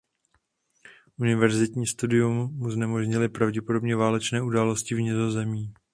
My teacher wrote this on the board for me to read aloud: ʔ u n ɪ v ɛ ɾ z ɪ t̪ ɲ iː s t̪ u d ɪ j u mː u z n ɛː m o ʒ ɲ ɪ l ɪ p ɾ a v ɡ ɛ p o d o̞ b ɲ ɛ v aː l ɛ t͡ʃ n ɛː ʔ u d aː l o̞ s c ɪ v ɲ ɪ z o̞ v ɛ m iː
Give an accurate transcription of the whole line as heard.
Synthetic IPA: ʔ u n ɪ v ɛ ɾ z ɪ t̪ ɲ iː s t̪ u d ɪ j u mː u z n ɛ m o ʒ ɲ ɪ l ɪ p ɾ a v ɟ ɛ p o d o̞ b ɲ ɛ v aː l ɛ t͡ʃ n ɛː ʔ u d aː l o̞ s c ɪ v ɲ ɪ z o̞ z ɛ m iː